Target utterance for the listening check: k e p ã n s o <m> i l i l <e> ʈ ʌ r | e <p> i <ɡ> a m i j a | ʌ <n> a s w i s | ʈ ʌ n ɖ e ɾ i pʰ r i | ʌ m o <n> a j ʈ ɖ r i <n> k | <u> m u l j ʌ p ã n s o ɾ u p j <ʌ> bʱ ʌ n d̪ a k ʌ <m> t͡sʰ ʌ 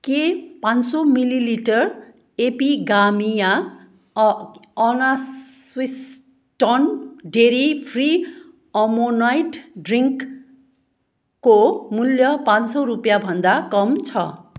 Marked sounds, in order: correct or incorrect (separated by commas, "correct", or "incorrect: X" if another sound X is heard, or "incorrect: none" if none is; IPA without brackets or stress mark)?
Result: correct, incorrect: i, correct, correct, correct, correct, incorrect: ŋ, incorrect: o, incorrect: a, correct